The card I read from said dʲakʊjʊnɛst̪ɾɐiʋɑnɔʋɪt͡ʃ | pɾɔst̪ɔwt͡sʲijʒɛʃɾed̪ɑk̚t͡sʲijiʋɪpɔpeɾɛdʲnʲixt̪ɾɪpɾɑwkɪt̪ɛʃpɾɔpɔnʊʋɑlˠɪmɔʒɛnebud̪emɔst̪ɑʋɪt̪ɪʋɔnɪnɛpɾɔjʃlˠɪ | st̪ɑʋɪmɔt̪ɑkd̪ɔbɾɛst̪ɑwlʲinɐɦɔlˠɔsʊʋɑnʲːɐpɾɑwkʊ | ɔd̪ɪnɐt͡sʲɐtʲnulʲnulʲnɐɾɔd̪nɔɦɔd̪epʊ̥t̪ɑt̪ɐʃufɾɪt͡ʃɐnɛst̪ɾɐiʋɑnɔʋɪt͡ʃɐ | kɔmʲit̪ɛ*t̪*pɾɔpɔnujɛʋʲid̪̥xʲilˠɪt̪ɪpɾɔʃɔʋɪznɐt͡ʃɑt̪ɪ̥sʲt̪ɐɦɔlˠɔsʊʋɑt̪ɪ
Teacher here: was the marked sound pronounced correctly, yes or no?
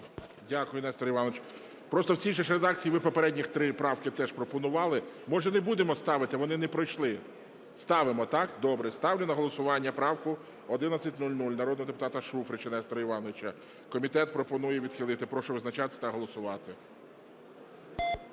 yes